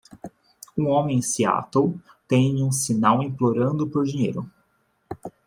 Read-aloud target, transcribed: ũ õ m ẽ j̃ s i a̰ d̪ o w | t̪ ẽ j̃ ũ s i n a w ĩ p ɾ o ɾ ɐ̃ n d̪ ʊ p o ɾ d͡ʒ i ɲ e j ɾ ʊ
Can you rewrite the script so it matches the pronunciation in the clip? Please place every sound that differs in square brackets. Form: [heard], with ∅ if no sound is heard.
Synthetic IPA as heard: ũ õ m ẽ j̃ s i a̰ [t̪] o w | t̪ ẽ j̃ ũ s i n a w ĩ p [l] o ɾ ɐ̃ n d̪ ʊ p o ɾ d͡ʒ i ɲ e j ɾ ʊ